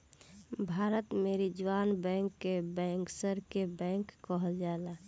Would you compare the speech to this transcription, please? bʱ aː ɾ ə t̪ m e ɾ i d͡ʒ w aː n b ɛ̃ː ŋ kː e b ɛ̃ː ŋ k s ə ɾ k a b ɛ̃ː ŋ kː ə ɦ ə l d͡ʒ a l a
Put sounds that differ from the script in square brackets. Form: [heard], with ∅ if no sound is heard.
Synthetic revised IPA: bʱ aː ɾ ə t̪ m e ɾ i d͡ʒ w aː n b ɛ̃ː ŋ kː e b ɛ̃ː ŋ k s ə ɾ k [e] b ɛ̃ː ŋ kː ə ɦ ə l d͡ʒ a l a